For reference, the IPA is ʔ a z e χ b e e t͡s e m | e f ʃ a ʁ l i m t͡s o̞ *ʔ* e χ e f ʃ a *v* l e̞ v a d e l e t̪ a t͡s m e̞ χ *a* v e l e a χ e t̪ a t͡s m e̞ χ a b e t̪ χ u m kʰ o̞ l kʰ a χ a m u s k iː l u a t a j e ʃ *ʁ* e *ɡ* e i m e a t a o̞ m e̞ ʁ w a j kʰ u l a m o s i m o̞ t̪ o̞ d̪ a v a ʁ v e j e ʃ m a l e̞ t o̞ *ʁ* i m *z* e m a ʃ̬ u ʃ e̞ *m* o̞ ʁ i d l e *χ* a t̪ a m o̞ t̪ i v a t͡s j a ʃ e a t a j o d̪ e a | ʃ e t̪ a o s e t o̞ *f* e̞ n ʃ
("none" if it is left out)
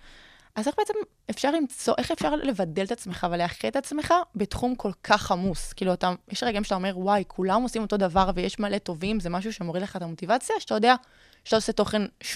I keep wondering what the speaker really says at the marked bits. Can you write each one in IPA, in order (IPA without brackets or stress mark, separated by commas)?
ʔ, ʁ, a, ʁ, ɡ, v, z, m, χ, χ